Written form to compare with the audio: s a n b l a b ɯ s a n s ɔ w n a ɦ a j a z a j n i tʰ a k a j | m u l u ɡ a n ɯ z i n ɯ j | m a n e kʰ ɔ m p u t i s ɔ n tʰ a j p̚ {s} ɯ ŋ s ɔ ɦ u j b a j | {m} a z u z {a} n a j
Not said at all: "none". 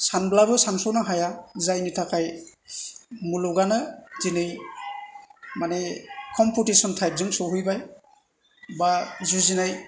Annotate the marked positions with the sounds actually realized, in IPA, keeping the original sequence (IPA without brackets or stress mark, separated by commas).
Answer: z, b, i